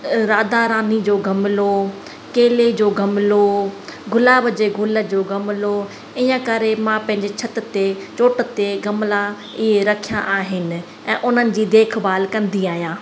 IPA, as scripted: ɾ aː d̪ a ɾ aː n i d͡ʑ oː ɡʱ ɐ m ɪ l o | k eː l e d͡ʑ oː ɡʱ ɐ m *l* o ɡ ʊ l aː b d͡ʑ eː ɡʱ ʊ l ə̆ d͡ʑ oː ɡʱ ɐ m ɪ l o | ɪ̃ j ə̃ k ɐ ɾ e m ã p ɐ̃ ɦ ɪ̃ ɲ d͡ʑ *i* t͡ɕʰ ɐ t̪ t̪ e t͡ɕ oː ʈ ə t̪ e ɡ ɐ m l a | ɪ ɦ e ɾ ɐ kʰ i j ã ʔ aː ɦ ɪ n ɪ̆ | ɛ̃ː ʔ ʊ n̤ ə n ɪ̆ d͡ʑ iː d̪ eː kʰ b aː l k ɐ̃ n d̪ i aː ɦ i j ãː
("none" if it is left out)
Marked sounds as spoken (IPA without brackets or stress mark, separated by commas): l, e